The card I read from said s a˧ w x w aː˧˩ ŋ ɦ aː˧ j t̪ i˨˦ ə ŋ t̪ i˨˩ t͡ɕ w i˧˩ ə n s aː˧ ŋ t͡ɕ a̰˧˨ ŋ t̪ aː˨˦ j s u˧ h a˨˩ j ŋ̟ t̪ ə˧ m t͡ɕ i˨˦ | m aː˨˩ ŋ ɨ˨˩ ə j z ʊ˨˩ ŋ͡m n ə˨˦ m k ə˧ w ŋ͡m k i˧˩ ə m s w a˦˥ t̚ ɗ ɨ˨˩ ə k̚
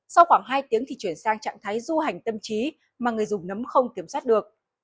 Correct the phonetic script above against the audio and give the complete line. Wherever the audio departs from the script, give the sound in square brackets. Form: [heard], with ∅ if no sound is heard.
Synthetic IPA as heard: s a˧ w x w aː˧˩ ŋ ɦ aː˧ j t̪ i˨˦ ə ŋ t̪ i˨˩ t͡ɕ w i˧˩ ə n s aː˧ ŋ t͡ɕ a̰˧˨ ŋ [t̪ʰ] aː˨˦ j [z] u˧ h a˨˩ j ŋ̟ t̪ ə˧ m t͡ɕ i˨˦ | m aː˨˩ ŋ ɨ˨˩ ə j z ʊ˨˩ ŋ͡m n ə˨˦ m [x] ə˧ w ŋ͡m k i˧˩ ə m s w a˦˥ t̚ ɗ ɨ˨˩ ə k̚